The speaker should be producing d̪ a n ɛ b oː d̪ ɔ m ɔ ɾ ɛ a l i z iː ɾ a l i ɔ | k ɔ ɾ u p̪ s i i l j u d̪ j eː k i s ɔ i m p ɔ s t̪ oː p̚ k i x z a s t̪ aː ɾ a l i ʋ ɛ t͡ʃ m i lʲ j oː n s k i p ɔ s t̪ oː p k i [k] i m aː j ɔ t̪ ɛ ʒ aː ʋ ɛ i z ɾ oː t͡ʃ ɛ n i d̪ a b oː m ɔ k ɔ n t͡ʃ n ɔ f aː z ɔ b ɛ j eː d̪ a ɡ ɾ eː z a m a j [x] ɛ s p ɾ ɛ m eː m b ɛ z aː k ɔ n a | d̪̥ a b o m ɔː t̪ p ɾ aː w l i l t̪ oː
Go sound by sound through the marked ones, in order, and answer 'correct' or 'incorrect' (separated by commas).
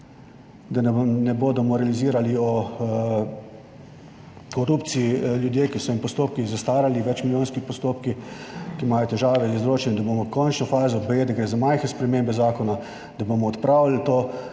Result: correct, correct